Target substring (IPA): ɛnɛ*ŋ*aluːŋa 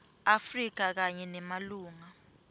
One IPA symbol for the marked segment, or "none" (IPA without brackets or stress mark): m